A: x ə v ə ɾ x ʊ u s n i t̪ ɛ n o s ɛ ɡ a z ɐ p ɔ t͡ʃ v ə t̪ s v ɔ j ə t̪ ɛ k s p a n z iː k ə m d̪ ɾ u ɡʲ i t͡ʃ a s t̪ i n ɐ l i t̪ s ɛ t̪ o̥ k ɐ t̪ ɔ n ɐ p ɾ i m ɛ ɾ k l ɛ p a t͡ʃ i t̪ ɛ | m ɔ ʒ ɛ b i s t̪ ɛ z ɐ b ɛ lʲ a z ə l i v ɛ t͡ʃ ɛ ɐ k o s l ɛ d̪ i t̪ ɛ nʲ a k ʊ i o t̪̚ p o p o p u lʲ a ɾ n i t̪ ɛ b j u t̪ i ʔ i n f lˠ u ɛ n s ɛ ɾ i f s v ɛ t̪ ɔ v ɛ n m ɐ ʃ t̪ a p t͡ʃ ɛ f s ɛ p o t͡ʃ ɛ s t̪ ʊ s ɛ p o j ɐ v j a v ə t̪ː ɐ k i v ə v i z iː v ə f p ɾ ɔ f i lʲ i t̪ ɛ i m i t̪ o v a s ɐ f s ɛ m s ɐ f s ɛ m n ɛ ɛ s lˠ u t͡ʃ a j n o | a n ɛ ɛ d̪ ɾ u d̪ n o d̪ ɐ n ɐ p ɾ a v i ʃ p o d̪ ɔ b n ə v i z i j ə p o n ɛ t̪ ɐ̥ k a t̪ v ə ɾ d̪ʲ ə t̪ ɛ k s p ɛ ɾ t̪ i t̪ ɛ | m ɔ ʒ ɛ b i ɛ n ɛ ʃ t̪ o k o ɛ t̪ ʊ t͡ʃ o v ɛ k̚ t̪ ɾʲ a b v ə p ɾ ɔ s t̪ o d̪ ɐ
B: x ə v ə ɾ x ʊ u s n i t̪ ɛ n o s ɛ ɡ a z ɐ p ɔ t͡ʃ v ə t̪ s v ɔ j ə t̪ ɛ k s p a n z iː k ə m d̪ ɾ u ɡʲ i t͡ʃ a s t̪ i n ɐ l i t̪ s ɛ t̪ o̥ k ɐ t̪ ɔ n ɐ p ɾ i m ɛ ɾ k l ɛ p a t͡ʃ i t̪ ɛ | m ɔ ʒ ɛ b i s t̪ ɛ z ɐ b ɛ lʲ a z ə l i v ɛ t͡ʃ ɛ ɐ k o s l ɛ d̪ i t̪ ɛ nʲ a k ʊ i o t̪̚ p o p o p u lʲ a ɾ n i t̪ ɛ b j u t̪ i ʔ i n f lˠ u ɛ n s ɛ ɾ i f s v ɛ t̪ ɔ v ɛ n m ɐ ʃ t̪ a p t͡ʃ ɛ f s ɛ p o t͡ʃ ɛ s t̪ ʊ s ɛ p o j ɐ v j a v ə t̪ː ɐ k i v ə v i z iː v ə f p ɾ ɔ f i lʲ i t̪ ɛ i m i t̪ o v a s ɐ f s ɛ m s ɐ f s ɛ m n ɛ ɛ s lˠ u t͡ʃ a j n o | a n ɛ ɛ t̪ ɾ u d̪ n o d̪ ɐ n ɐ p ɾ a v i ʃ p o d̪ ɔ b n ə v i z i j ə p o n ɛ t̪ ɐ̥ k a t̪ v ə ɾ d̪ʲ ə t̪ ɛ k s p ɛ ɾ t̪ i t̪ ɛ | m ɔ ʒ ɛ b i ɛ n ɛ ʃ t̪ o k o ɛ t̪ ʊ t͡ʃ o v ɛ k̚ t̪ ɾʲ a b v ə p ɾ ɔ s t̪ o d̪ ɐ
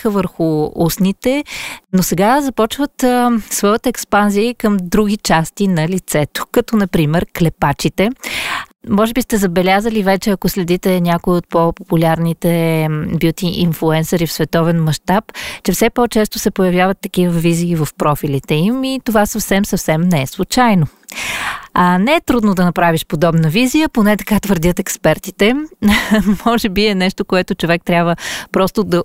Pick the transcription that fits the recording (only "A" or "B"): B